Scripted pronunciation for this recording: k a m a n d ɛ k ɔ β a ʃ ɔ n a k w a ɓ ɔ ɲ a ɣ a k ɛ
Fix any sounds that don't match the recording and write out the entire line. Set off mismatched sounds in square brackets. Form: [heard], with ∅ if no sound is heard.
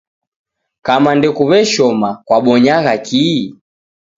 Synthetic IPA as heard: k a m a n d ɛ k [u] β [ɛ] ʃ ɔ [m] a k w a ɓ ɔ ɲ a ɣ a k [i]